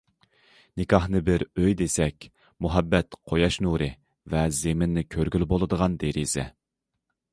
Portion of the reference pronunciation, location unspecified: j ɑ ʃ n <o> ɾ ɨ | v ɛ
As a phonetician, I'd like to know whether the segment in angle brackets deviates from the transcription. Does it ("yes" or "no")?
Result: yes